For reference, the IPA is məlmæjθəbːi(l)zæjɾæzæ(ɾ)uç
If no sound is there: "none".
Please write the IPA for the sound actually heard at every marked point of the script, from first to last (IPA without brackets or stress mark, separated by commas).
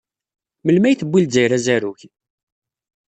l, ɾ